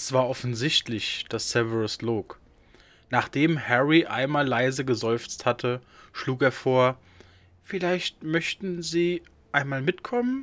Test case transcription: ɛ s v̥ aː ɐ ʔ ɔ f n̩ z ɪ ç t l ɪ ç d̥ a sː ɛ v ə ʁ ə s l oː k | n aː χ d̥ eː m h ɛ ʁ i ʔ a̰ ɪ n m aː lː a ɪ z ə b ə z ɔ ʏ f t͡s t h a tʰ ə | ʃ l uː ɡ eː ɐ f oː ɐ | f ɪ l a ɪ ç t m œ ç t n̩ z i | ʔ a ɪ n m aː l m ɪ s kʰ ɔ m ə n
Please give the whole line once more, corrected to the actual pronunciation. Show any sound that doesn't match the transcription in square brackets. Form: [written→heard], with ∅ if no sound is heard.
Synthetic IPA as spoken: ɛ s v̥ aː ɐ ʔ ɔ f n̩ z ɪ ç t l ɪ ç d̥ a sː ɛ v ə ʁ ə s l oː k | n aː χ d̥ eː m h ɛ ʁ i ʔ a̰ ɪ n m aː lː a ɪ z ə [b→ɡ] ə z ɔ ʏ f t͡s t h a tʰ ə | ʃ l uː [ɡ→k] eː ɐ f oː ɐ | f ɪ l a ɪ ç t m œ ç t n̩ z [i→iː] | ʔ a ɪ n m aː l m ɪ [s→t] kʰ ɔ m ə n

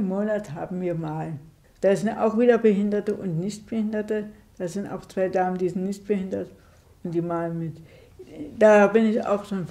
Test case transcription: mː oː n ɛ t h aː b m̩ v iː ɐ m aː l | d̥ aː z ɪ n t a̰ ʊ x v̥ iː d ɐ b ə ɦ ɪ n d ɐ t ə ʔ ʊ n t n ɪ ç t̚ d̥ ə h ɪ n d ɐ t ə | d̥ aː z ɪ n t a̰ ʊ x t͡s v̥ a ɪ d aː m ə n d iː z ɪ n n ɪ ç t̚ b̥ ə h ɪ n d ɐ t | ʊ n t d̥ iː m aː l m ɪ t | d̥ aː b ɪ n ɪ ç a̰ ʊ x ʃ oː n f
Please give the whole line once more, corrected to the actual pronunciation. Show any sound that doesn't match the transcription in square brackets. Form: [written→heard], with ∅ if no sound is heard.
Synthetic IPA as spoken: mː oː n [ɛ→a] t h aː b m̩ v iː ɐ m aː l | d̥ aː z ɪ n t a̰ ʊ x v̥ iː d ɐ b ə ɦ ɪ n d ɐ t ə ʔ ʊ n t n ɪ ç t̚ [d̥→b̥] ə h ɪ n d ɐ t ə | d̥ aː z ɪ n t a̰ ʊ x t͡s v̥ a ɪ d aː m ə n d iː z ɪ n n ɪ ç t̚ b̥ ə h ɪ n d ɐ t | ʊ n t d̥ iː m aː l m ɪ t | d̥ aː b ɪ n ɪ ç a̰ ʊ x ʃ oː n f

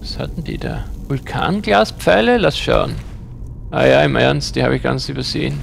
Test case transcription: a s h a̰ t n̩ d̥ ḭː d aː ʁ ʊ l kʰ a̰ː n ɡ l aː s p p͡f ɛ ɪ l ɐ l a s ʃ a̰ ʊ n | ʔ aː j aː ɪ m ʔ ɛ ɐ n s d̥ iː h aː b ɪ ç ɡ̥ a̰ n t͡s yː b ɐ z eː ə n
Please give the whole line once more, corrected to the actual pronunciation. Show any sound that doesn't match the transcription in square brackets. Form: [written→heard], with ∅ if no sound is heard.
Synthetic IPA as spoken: a s h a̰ t n̩ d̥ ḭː d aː [ʁ→v] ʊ l kʰ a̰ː n ɡ l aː s p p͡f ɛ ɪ l [ɐ→ə] l a s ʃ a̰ ʊ n | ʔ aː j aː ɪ m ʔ ɛ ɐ n s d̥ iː h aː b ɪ ç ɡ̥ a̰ n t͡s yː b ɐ z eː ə n

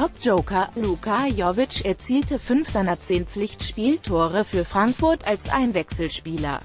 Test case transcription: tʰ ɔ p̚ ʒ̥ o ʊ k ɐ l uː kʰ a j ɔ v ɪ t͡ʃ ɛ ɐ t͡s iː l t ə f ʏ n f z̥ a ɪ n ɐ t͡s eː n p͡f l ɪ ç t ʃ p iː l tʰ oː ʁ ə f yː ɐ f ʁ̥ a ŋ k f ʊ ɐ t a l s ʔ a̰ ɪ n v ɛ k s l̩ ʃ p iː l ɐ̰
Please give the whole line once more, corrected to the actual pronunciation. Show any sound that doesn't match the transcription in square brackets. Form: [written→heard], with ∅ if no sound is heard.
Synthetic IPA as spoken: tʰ ɔ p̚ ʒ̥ o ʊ k ɐ l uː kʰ a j ɔ v ɪ t͡ʃ ɛ ɐ t͡s iː l t ə f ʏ n f z̥ a ɪ n ɐ t͡s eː n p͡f l ɪ ç t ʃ p iː l tʰ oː ʁ ə f yː ɐ f ʁ̥ a ŋ k f ʊ ɐ t a l s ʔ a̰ ɪ n v ɛ k s l̩ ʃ p iː l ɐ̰

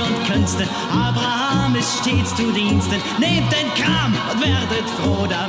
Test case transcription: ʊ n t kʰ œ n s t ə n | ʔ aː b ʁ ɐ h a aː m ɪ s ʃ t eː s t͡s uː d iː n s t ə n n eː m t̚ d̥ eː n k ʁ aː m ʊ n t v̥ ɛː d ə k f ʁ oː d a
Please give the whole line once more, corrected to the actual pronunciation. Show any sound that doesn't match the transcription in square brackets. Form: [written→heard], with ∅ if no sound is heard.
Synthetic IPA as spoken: ʊ n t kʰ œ n s t ə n | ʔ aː b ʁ [ɐ→a] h a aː m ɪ s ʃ t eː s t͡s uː d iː n s t ə n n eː m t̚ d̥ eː n k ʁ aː m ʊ n t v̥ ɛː d ə [k→t] f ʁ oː d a

